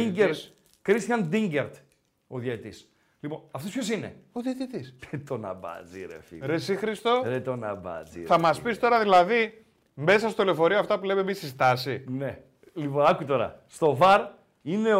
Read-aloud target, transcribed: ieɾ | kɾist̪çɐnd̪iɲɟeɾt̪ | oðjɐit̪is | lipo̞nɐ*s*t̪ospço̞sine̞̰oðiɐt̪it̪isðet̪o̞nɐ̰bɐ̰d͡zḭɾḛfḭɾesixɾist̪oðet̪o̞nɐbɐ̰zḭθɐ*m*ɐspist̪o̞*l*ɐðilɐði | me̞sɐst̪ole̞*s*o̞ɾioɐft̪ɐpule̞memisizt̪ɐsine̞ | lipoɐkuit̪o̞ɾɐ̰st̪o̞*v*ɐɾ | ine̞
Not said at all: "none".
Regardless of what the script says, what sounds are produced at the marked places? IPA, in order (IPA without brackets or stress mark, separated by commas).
f, m, ɾ, f, v